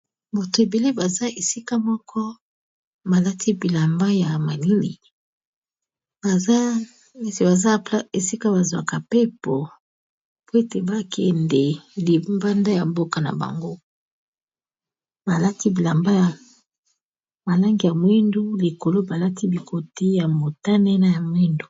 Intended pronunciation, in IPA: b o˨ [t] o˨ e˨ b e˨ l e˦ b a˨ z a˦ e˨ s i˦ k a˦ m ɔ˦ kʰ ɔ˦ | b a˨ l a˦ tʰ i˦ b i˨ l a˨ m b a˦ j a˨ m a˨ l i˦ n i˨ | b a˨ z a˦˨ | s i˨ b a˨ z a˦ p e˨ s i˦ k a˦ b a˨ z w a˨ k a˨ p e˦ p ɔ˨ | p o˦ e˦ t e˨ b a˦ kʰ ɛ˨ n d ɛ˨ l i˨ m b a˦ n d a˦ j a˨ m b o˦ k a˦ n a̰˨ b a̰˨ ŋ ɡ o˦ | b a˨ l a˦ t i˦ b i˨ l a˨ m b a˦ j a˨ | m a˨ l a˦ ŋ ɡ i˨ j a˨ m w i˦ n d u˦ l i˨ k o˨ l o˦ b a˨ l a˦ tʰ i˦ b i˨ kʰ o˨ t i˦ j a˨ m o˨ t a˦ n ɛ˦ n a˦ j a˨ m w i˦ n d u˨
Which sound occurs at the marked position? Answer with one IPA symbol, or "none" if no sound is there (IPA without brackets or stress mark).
t